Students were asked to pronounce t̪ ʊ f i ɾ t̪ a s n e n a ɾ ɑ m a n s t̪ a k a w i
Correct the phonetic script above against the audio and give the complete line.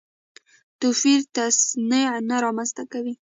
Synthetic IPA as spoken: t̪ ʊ f i ɾ t̪ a s n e n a ɾ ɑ m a n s t̪ a k a w i